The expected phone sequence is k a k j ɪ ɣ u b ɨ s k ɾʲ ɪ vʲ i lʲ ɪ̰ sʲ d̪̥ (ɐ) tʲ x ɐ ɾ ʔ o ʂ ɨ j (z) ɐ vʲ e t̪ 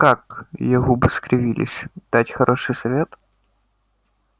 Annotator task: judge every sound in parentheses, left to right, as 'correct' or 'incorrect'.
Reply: incorrect, incorrect

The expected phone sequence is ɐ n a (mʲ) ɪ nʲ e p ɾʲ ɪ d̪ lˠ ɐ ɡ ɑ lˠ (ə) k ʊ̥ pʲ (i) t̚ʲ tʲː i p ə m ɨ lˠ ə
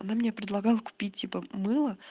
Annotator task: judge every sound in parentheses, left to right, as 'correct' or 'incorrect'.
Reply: correct, correct, correct

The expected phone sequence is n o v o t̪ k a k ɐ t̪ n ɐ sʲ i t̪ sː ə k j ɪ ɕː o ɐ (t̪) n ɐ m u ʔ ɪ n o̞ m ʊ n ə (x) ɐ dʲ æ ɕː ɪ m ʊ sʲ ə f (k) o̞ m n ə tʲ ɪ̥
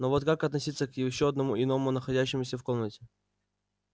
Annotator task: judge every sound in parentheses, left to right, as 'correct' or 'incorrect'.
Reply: incorrect, correct, correct

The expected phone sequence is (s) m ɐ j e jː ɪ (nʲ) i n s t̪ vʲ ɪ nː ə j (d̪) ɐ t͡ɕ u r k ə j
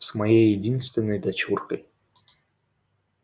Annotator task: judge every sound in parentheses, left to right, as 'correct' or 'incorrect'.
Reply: correct, incorrect, correct

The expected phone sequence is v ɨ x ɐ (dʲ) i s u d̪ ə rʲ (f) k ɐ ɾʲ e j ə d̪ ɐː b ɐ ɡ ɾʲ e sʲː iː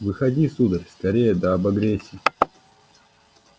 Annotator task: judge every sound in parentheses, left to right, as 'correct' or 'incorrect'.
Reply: correct, incorrect

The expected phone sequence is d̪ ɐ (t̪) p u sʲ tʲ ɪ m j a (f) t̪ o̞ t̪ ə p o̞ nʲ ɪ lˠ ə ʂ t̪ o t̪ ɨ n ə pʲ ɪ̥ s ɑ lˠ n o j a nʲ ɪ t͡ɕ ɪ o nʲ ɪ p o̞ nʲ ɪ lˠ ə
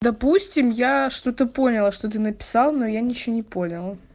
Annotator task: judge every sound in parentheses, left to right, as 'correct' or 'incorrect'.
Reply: incorrect, incorrect

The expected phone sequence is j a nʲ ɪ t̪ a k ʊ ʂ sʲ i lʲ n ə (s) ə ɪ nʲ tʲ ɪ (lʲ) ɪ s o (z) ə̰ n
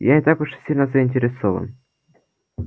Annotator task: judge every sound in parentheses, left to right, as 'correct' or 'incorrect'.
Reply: incorrect, incorrect, incorrect

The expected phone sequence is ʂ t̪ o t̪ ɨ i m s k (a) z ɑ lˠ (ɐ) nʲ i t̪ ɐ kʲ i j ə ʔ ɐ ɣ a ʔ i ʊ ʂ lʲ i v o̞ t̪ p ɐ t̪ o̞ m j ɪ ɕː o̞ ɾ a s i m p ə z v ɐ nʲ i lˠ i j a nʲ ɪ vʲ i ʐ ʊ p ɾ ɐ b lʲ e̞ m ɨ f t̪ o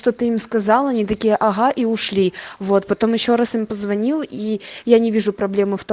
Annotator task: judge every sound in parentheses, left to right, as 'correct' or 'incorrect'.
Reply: incorrect, correct

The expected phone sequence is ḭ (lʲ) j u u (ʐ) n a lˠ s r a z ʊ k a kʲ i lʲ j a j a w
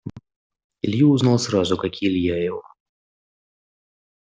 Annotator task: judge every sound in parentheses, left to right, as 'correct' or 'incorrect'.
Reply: correct, incorrect

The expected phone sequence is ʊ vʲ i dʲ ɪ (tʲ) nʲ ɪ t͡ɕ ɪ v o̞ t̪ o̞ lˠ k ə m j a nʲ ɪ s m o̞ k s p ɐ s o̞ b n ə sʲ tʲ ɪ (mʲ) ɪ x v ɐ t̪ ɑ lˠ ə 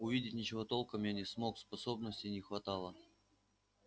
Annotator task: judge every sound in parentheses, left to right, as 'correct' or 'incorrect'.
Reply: correct, incorrect

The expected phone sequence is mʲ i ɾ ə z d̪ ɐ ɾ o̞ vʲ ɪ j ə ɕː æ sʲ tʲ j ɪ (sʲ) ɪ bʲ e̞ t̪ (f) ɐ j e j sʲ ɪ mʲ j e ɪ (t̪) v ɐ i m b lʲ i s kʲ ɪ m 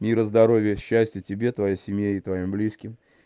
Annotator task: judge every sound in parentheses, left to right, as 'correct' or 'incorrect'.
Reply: incorrect, incorrect, correct

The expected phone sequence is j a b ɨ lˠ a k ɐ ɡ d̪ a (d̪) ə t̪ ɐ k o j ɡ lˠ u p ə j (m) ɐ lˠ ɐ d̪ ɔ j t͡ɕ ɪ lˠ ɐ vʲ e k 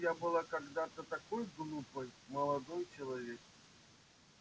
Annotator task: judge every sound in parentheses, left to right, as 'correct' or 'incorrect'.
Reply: incorrect, correct

